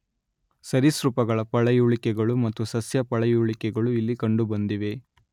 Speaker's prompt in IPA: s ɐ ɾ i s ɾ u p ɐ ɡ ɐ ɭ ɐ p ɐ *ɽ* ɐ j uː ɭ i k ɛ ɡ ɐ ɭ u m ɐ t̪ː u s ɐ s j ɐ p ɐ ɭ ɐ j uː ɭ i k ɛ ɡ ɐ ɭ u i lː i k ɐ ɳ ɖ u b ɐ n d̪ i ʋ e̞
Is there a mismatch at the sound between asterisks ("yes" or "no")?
yes